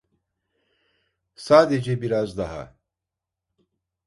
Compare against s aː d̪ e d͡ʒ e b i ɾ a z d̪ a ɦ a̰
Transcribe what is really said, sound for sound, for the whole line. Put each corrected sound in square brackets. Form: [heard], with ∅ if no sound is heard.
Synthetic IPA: s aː d̪ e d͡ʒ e b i ɾ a z d̪ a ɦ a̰

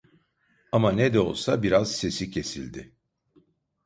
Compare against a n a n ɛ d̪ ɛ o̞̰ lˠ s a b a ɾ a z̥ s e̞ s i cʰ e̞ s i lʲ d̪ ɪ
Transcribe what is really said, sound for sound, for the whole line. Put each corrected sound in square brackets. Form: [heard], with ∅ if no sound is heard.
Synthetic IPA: a [m] a n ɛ d̪ ɛ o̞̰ lˠ s a b [i] ɾ a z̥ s e̞ s i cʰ e̞ s i lʲ d̪ ɪ

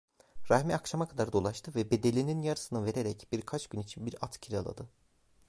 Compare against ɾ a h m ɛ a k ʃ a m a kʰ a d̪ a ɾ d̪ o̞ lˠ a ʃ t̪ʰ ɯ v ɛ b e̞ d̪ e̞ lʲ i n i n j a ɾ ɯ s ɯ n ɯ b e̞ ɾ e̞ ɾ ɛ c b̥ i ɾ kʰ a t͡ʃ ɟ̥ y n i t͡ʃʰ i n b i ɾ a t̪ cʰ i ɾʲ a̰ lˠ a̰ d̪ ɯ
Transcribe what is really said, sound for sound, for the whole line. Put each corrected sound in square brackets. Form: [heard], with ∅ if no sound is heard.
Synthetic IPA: ɾ a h m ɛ a k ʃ a m a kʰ a d̪ a ɾ d̪ o̞ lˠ a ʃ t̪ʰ ɯ v ɛ b e̞ d̪ e̞ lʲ i n i n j a ɾ ɯ s ɯ n ɯ [v] e̞ ɾ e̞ ɾ ɛ c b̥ i ɾ kʰ a t͡ʃ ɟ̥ y n i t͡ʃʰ i n b i ɾ a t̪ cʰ i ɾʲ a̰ lˠ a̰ d̪ ɯ

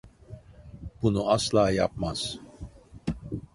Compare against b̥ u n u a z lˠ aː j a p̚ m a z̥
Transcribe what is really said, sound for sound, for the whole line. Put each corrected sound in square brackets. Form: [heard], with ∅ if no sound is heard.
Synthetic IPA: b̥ u n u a [s] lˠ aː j a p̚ m a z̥

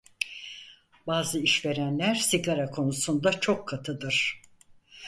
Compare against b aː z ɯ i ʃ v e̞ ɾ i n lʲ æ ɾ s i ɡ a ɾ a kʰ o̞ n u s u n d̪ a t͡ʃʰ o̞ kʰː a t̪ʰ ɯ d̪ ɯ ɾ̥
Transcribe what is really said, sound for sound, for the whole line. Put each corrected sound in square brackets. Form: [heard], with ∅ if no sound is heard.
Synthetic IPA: b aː z ɯ i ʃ v e̞ ɾ [æ] n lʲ æ ɾ s i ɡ a ɾ a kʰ o̞ n u s u n d̪ a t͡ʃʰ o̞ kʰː a t̪ʰ ɯ d̪ ɯ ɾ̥

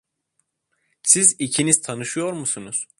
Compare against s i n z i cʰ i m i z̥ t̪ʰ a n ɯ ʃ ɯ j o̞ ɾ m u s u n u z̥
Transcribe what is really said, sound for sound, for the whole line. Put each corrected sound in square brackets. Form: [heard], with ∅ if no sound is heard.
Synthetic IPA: s i [∅] z i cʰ i [n] i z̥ t̪ʰ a n ɯ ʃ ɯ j o̞ ɾ m u s u n u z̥

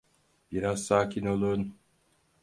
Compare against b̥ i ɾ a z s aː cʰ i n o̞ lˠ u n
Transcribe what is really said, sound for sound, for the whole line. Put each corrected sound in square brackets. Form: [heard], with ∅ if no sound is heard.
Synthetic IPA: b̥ i ɾ a z s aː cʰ i n o̞ lˠ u n

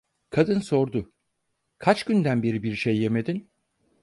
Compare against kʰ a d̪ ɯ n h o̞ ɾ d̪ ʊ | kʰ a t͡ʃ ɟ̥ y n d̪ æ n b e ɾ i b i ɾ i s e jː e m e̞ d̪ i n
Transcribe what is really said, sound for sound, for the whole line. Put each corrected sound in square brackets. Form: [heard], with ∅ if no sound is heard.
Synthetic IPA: kʰ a d̪ ɯ n [s] o̞ ɾ d̪ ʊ | kʰ a t͡ʃ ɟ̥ y n d̪ æ n b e ɾ i b i ɾ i [ʃ] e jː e m e̞ d̪ i n

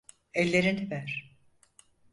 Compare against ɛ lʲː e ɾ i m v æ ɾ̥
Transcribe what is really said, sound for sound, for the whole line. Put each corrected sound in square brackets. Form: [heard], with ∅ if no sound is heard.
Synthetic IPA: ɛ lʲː e ɾ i [n] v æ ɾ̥

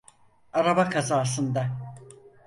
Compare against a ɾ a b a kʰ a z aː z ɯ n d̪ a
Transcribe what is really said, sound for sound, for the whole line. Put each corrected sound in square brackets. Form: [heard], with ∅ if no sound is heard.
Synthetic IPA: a ɾ a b a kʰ a z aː [s] ɯ n d̪ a

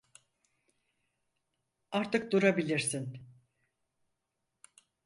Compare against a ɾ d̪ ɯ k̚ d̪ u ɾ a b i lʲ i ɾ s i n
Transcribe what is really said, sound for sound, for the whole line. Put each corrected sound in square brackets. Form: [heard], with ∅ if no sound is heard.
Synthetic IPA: a ɾ [t̪] ɯ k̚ d̪ u ɾ a b i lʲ i ɾ s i n

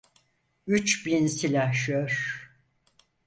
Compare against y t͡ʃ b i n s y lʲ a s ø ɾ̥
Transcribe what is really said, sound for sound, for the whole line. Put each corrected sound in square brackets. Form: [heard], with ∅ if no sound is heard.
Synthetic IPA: y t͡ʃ b i n s [i] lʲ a [ʃ] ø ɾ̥

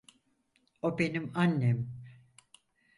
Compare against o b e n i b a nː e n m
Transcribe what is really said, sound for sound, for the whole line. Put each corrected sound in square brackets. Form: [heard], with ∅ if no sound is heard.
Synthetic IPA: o b e n i [m] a nː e [∅] m

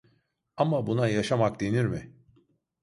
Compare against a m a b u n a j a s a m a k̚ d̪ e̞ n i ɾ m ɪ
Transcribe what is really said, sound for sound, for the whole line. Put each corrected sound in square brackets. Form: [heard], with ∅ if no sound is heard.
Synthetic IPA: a m a b u n a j a [ʃ] a m a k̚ d̪ e̞ n i ɾ m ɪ

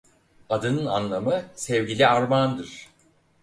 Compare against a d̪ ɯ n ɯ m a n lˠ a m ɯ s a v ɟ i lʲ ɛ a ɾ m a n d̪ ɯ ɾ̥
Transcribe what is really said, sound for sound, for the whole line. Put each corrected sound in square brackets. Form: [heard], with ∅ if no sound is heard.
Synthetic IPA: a d̪ ɯ n ɯ [n] a n lˠ a m ɯ s [ɛ] v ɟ i lʲ [i] a ɾ m a n d̪ ɯ ɾ̥

